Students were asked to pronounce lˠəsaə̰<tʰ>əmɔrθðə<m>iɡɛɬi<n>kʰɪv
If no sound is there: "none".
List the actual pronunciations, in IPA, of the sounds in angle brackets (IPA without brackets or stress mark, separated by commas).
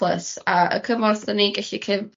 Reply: kʰ, n, none